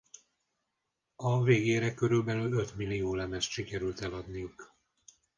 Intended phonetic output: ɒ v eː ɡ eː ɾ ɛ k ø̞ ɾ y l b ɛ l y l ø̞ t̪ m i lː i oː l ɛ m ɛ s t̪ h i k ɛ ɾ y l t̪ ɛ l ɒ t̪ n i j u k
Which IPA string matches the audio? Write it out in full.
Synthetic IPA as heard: ɒ v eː ɡ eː ɾ ɛ k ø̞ ɾ y l b ɛ l y l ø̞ t̪ m i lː i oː l ɛ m ɛ s t̪ ʃ i k ɛ ɾ y l t̪ ɛ l ɒ d̪ n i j u k

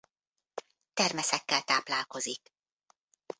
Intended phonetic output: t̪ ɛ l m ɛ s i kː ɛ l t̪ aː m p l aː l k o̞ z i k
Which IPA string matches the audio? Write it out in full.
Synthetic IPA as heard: t̪ ɛ r m ɛ s ɛ kː ɛ l t̪ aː p l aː l k o̞ z i k

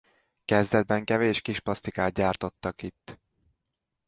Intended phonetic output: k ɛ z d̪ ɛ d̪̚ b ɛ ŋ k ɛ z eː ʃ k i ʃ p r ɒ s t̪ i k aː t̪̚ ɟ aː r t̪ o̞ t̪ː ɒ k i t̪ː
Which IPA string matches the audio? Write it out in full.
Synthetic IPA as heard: k ɛ z d̪ ɛ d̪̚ b ɛ ŋ k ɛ v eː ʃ k i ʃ p l ɒ s t̪ i k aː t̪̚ ɟ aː r t̪ o̞ t̪ː ɒ k i t̪ː

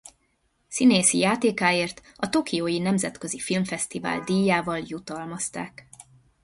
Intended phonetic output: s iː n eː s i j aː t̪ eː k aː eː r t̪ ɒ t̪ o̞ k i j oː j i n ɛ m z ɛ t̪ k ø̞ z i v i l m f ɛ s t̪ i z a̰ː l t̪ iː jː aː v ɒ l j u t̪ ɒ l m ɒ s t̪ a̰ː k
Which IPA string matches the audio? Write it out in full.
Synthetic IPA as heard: s i n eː s i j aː t̪ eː k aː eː r t̪ ɒ t̪ o̞ k i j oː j i n ɛ m z ɛ t̪ k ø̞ z i f i l m f ɛ s t̪ i v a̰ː l d̪ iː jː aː v ɒ l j u t̪ ɒ l m ɒ s t̪ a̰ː k

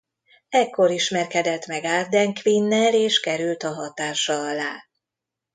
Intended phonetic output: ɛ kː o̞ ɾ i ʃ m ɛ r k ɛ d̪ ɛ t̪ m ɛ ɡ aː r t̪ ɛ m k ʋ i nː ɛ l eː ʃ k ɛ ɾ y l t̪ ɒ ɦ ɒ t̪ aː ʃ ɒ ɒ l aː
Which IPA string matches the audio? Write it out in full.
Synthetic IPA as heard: ɛ kː o̞ ɾ i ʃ m ɛ r k ɛ d̪ ɛ t̪ m ɛ ɡ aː r d̪ ɛ ŋ k ʋ i nː ɛ l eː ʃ k ɛ ɾ y l t̪ ɒ ɦ ɒ t̪ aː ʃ ɒ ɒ l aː

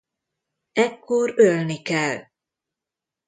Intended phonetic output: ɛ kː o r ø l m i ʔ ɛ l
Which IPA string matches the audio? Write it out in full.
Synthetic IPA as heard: ɛ kː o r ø l n i k ɛ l

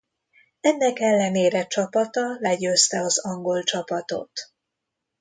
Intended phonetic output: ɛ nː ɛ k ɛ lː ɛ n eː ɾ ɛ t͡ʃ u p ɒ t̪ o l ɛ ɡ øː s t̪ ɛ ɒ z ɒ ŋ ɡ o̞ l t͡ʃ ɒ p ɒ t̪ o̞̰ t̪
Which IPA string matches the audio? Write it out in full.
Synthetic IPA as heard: ɛ nː ɛ k ɛ lː ɛ n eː ɾ ɛ t͡ʃ ɒ p ɒ t̪ ɒ l ɛ ɟ øː s t̪ ɛ ɒ z ɒ ŋ ɡ o̞ l t͡ʃ ɒ p ɒ t̪ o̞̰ t̪

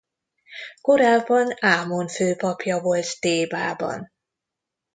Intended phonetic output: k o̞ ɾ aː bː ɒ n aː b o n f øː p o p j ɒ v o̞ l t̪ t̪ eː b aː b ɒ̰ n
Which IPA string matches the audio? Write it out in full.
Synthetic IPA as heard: k o̞ ɾ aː bː ɒ n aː m o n f øː p ɒ p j ɒ v o̞ l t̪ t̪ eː b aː b ɒ̰ n

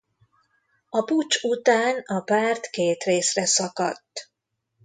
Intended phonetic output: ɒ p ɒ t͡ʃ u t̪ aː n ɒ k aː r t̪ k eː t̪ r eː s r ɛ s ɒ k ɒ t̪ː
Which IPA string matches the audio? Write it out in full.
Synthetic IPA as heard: ɒ p u t͡ʃ u t̪ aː n ɒ p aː r t̪ k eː t̪ r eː s r ɛ s ɒ k ɒ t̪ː

